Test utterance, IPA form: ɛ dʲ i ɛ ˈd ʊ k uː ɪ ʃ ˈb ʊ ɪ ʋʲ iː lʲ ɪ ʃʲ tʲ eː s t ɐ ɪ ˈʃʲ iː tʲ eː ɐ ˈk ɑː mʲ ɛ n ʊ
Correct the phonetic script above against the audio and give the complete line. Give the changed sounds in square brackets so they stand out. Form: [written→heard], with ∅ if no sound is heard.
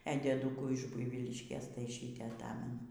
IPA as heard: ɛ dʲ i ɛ ˈd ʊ k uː ɪ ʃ ˈb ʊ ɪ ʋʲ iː lʲ ɪ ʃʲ [tʲ→kʲ] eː s t ɐ ɪ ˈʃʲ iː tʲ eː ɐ [ˈk→ˈt] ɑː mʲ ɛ n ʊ